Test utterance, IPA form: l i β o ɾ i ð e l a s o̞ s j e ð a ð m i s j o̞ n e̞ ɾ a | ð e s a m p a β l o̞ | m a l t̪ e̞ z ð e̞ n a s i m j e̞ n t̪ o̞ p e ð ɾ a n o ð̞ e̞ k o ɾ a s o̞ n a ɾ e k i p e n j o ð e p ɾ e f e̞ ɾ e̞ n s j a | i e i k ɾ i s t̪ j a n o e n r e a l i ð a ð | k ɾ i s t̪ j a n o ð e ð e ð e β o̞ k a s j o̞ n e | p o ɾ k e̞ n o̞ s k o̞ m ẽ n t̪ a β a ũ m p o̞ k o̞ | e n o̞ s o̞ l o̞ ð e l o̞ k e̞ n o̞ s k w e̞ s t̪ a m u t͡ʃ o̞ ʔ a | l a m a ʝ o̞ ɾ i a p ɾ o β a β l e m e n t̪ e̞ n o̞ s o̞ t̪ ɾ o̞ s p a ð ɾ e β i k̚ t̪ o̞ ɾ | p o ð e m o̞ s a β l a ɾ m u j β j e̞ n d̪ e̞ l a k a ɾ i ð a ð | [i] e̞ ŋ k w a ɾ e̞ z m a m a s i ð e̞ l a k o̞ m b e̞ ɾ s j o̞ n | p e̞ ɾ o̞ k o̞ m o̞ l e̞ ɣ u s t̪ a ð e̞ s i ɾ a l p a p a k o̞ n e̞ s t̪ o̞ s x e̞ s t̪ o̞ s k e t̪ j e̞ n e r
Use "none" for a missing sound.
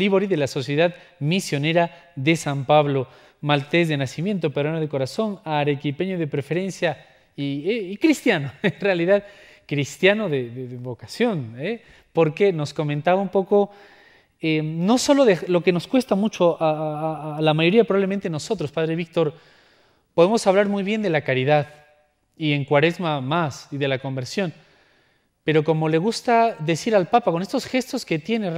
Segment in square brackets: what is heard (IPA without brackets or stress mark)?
i